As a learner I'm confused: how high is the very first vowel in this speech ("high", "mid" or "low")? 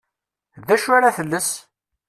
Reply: low